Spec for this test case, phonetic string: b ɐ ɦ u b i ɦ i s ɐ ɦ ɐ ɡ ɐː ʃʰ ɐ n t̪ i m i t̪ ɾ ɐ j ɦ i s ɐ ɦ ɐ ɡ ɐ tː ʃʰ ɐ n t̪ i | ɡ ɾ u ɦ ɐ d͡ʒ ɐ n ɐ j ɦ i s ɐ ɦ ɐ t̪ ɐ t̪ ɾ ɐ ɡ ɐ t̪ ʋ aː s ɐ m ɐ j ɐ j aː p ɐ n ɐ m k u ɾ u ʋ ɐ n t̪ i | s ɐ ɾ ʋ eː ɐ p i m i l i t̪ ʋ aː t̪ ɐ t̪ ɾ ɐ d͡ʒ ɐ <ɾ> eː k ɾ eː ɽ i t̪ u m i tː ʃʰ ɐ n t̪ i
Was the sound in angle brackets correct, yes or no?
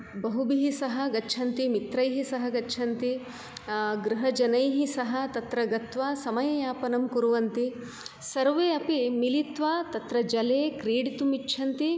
no